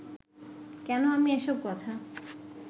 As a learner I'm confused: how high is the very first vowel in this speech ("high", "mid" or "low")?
mid